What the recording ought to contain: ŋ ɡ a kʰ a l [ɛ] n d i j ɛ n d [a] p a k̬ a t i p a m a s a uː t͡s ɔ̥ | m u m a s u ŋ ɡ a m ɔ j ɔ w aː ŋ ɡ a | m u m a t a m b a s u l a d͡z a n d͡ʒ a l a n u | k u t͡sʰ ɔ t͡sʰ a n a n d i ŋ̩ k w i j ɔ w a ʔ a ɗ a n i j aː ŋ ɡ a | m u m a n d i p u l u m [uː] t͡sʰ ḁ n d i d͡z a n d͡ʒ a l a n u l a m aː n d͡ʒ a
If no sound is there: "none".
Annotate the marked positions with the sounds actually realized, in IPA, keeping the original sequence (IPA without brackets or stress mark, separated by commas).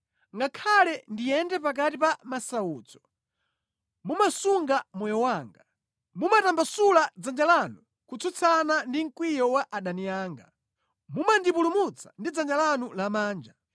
ɛ, ɛ, u